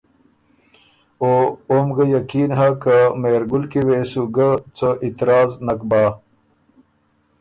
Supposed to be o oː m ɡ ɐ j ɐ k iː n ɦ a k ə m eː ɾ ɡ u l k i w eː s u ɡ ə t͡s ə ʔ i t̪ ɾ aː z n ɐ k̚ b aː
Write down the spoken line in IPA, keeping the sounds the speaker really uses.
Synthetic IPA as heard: o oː m ɡ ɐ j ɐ k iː n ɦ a k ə m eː ɾ ɡ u l k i w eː s u ɡ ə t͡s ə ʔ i t̪ ɾ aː z n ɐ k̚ b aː